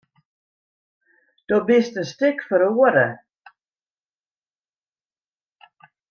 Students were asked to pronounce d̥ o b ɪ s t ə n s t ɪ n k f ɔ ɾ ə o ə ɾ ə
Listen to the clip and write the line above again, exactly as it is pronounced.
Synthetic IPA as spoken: d̥ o b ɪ s t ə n s t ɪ k f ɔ ɾ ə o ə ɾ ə